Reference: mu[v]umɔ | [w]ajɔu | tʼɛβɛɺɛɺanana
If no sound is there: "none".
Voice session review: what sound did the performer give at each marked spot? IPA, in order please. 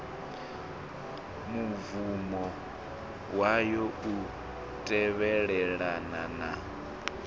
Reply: v, w

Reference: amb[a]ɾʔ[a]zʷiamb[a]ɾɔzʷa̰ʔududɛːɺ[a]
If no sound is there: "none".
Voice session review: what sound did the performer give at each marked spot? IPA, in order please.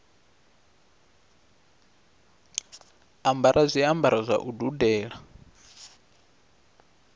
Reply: a, a, a, a

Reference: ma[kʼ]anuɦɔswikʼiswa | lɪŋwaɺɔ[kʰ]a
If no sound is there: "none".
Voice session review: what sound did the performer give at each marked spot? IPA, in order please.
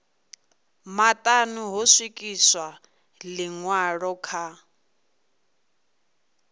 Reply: tʼ, kʰ

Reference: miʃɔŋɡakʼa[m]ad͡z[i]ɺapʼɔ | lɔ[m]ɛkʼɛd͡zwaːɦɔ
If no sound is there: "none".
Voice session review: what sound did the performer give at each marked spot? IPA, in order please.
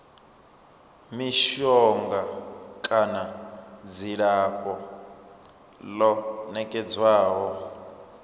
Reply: n, i, n

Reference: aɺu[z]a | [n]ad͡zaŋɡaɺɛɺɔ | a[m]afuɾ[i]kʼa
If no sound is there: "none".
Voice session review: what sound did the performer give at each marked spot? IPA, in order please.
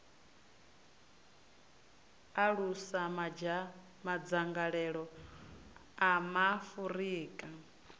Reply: s, m, m, iː

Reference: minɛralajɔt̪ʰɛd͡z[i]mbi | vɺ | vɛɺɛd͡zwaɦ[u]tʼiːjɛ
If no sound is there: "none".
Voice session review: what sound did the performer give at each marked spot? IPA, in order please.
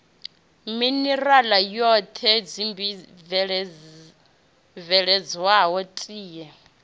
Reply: i, ɔ

